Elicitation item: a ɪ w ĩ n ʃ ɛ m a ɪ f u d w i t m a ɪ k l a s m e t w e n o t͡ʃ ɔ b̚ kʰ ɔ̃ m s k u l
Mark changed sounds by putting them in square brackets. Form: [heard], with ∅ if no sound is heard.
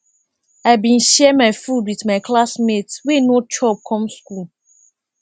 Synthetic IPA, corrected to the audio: a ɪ [b] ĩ n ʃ ɛ m a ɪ f u d w i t m a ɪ k l a s m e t w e n o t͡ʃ ɔ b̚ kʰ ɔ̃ m s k u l